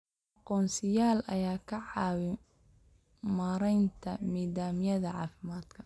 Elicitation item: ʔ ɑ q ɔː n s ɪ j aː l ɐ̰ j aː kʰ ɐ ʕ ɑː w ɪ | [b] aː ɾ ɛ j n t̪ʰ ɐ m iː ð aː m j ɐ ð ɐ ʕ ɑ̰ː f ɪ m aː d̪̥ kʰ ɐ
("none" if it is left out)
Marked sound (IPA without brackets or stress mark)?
m